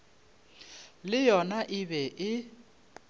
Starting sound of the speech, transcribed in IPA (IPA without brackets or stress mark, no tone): l